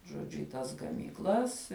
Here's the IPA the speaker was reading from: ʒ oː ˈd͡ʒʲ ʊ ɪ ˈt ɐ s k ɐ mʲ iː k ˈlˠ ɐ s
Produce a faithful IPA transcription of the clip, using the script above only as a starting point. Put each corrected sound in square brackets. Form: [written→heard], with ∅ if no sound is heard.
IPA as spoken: ʒ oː ˈd͡ʒʲ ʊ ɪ ˈt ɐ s [k→ɡ] ɐ mʲ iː k ˈlˠ ɐ s